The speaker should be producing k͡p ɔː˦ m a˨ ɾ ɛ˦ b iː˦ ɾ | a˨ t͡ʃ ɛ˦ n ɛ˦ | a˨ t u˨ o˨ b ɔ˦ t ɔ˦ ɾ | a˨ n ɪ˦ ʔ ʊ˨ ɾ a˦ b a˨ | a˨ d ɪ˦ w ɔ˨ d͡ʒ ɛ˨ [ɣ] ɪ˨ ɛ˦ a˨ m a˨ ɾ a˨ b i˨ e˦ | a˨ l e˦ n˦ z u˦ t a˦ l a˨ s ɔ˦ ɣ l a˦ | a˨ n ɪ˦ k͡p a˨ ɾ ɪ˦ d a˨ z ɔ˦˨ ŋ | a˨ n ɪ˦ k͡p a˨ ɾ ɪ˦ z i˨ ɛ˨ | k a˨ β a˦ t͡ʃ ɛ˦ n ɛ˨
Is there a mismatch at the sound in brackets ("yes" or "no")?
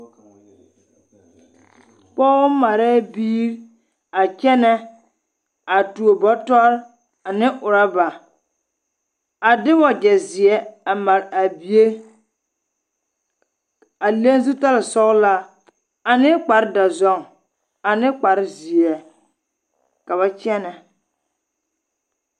yes